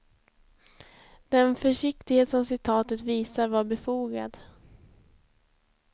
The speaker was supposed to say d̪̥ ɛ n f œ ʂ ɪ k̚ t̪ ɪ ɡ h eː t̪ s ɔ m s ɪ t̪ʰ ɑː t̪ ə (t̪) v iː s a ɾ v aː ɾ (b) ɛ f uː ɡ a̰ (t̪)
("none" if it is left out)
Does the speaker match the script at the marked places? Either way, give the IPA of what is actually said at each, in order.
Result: t̪, b, d̪

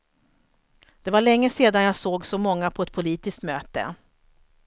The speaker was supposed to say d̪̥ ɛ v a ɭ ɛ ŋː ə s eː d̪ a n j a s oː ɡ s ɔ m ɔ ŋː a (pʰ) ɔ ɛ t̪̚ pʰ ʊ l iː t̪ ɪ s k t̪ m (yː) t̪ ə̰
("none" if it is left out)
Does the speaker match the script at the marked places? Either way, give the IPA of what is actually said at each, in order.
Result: pʰ, øː

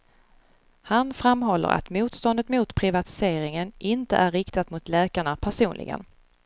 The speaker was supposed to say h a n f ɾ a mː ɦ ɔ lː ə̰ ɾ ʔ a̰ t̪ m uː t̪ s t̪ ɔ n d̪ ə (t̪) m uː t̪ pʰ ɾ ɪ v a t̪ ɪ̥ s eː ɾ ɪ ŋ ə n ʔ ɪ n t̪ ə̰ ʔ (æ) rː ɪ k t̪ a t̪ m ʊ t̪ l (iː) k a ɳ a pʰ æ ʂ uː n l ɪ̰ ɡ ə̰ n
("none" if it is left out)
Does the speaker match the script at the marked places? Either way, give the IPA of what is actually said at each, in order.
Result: t̪, æ, ɛː

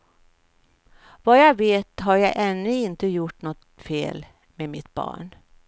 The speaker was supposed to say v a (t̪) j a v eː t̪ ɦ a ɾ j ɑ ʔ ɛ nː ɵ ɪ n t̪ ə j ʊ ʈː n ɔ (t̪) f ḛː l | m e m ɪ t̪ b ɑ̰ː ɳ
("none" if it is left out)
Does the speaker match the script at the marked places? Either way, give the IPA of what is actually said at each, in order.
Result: none, t̪

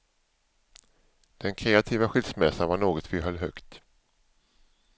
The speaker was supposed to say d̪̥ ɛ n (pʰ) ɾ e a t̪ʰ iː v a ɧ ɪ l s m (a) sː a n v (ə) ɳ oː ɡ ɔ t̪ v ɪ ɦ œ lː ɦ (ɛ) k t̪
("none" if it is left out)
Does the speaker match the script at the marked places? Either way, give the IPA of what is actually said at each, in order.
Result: kʰ, ɛ, a, œ

